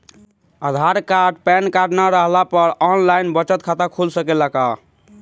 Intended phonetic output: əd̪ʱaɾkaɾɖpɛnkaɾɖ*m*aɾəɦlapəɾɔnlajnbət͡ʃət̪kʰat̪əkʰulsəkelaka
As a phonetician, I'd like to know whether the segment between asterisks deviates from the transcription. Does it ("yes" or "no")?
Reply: yes